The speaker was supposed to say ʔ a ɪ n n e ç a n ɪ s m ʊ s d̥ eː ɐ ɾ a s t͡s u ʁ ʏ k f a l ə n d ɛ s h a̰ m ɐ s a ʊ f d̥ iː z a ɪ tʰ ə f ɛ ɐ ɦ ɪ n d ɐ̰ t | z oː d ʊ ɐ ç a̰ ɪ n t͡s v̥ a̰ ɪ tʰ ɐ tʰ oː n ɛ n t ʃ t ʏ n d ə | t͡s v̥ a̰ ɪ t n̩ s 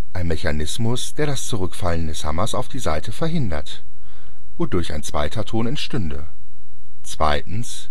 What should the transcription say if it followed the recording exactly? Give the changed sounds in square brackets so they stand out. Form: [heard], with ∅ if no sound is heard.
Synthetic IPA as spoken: ʔ a ɪ n [m] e ç a n ɪ s m ʊ s d̥ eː ɐ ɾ a s t͡s u ʁ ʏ k f a l ə n d ɛ s h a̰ m ɐ s a ʊ f d̥ iː z a ɪ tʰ ə f ɛ ɐ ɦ ɪ n d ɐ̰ t | [v] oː d ʊ ɐ ç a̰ ɪ n t͡s v̥ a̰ ɪ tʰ ɐ tʰ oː n ɛ n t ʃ t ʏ n d ə | t͡s v̥ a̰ ɪ t n̩ s

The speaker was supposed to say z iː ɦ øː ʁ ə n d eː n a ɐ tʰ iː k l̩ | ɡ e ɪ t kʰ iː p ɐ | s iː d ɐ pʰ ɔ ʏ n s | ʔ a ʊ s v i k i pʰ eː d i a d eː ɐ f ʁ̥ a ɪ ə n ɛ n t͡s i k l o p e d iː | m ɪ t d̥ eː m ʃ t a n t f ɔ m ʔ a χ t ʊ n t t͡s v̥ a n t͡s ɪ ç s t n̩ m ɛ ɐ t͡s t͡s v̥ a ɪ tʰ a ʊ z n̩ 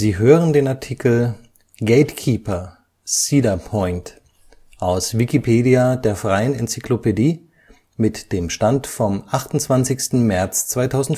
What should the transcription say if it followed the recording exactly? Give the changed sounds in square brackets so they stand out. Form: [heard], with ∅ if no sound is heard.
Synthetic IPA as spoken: z iː ɦ øː ʁ ə n d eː n a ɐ tʰ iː k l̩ | ɡ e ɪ t kʰ iː p ɐ | s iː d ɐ pʰ ɔ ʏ n [t] | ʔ a ʊ s v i k i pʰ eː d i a d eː ɐ f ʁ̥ a ɪ ə n ɛ n t͡s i k l o p e d iː | m ɪ t d̥ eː m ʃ t a n t f ɔ m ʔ a χ t ʊ n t t͡s v̥ a n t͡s ɪ ç s t n̩ m ɛ ɐ t͡s t͡s v̥ a ɪ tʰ a ʊ z n̩

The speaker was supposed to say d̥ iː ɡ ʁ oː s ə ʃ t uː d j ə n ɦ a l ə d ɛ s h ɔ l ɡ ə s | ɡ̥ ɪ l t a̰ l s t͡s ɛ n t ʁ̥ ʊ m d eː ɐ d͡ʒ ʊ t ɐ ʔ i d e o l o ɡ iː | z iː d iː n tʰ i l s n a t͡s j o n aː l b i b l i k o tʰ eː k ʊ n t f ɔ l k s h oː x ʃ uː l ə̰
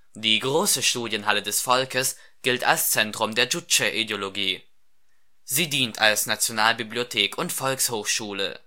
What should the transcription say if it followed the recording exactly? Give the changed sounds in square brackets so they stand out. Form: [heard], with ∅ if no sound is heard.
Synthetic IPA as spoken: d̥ iː ɡ ʁ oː s ə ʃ t uː d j ə n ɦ a l ə d ɛ s [f] ɔ l [k] ə s | ɡ̥ ɪ l t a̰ l s t͡s ɛ n t ʁ̥ ʊ m d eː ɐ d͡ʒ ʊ [t͡ʃ] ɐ ʔ i d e o l o ɡ iː | z iː d iː n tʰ [a] l s n a t͡s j o n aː l b i b l i [∅] o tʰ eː k ʊ n t f ɔ l k s h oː x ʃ uː l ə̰

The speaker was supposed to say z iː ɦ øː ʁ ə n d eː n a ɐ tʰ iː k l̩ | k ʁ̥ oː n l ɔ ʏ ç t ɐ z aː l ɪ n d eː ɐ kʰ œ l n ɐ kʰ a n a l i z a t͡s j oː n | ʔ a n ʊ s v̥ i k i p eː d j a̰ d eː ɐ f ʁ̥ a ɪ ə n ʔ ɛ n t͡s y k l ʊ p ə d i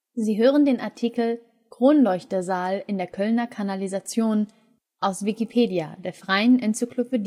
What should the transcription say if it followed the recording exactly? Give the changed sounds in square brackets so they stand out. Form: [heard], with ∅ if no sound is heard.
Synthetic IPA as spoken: z iː ɦ øː ʁ ə n d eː n a ɐ tʰ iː k l̩ | k ʁ̥ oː n l ɔ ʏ ç t ɐ z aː l ɪ n d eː ɐ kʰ œ l n ɐ kʰ a n a l i z a t͡s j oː n | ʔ a [∅] ʊ s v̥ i k i [pʰ] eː d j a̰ d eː ɐ f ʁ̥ a ɪ ə n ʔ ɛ n t͡s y k l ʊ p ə d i

